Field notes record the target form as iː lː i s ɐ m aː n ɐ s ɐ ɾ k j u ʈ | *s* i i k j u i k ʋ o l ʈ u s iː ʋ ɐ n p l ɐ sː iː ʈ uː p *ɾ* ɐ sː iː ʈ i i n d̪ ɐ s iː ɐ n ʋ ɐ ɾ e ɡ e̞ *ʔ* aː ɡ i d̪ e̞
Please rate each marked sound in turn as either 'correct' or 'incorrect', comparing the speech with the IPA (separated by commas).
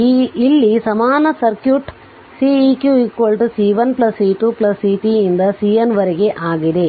correct, incorrect, correct